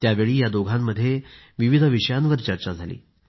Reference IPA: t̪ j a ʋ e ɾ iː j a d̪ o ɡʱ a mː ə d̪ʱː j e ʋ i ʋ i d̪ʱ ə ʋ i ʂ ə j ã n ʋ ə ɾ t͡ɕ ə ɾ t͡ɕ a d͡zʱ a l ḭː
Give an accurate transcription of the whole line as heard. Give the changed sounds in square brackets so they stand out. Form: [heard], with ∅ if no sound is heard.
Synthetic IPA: t̪ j a ʋ e [ɭ] iː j a d̪ o ɡʱ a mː ə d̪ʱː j e ʋ i ʋ i d̪ʱ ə ʋ i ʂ ə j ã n ʋ ə ɾ t͡ɕ ə ɾ t͡ɕ a d͡zʱ a l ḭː